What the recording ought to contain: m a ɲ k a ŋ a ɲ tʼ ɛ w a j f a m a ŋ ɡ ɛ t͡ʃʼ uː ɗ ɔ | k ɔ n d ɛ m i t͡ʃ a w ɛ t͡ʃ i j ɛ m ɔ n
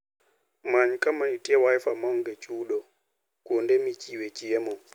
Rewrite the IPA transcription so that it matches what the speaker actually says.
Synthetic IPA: m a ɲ k a m a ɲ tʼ ɛ w a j f a m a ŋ ɡ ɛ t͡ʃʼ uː ɗ ɔ | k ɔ n d ɛ m i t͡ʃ i w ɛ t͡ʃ i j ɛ m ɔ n